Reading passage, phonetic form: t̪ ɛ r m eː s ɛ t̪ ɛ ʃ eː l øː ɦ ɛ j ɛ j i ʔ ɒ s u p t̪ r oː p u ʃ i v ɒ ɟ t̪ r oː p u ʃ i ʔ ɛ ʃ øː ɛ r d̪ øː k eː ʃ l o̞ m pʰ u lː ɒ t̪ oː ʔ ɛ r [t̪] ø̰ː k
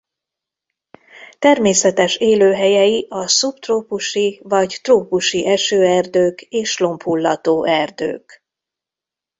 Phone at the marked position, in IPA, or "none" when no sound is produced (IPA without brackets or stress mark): d̪